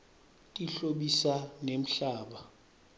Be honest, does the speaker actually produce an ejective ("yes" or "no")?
yes